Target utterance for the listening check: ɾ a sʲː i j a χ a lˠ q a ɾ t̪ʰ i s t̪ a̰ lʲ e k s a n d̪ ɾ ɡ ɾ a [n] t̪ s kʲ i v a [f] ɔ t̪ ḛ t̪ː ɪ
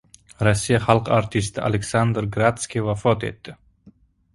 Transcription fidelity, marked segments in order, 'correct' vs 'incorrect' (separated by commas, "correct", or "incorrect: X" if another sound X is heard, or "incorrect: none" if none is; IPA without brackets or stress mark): incorrect: none, correct